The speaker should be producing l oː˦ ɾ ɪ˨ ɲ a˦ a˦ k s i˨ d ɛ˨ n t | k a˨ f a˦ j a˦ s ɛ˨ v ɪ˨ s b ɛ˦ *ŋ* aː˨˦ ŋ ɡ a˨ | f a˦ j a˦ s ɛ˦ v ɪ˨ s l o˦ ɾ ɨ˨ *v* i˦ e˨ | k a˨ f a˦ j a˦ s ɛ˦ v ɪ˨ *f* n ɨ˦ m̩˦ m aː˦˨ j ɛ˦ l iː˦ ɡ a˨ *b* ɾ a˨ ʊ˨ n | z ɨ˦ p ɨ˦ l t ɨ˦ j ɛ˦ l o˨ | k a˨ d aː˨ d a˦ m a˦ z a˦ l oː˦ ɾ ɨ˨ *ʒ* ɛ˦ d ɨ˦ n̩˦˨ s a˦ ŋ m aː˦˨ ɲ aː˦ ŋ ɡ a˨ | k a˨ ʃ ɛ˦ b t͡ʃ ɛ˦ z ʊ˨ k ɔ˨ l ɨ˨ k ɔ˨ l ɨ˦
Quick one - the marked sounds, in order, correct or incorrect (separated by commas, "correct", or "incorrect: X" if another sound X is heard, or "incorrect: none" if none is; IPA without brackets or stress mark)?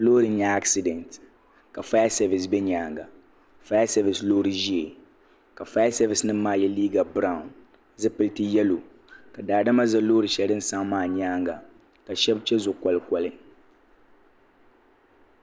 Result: incorrect: ɲ, incorrect: ʒ, incorrect: s, correct, incorrect: ʃ